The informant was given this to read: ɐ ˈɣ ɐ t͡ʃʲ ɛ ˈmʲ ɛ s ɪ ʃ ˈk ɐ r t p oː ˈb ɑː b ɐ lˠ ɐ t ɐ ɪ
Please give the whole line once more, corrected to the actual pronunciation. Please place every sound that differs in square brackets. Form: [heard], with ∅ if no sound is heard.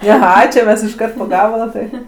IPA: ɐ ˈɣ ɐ t͡ʃʲ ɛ ˈmʲ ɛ s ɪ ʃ ˈk ɐ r t p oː [ˈɡ] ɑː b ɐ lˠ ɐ t ɐ ɪ